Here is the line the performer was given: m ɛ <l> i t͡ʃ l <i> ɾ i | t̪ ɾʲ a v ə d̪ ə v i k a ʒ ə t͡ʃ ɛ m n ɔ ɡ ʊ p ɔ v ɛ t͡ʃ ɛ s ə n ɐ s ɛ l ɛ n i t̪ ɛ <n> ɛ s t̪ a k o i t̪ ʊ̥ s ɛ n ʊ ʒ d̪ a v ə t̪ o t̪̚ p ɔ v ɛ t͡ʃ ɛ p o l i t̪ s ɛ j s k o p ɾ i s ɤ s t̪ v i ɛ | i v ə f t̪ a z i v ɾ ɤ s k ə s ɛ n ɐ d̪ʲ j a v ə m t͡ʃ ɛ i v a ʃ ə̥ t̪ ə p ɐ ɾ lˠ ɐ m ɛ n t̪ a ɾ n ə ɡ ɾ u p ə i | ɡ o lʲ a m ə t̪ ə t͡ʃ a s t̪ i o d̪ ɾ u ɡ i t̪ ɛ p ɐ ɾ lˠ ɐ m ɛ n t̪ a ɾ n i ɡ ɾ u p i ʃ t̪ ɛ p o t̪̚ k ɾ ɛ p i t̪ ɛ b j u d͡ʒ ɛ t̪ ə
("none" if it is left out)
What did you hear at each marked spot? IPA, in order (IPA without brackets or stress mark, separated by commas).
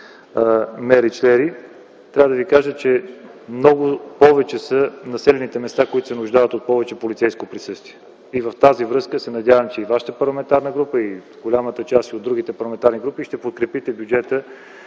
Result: ɾ, ɛ, m